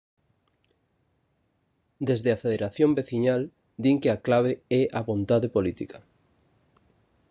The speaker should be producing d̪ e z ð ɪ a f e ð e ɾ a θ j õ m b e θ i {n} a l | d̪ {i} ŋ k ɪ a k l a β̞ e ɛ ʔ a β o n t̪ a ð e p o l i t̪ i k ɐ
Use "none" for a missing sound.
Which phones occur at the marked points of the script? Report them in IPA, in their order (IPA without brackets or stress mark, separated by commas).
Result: ɲ, i